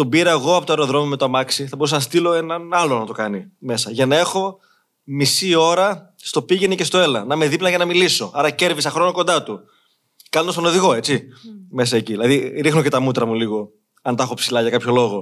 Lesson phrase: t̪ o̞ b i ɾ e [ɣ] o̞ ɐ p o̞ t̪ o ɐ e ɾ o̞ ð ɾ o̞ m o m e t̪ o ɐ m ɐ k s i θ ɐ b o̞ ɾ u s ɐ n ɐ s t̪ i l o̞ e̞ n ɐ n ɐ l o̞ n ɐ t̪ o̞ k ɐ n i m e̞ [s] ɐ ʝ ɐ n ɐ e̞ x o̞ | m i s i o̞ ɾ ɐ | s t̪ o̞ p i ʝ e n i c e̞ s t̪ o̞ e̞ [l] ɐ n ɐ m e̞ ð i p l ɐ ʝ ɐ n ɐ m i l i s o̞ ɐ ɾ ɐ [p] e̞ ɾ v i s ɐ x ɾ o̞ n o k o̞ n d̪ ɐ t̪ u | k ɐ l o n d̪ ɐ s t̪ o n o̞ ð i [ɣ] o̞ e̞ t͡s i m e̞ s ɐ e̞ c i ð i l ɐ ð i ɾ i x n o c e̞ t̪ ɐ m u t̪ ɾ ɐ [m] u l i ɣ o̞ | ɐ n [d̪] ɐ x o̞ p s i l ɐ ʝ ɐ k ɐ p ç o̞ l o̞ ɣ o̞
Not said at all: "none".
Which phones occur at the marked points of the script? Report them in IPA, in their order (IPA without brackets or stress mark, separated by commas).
ɣ, s, l, c, ɣ, m, t̪